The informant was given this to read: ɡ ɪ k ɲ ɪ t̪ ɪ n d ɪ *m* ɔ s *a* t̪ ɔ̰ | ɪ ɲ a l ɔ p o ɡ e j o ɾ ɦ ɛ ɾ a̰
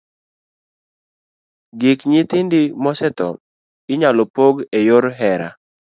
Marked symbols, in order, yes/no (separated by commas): yes, no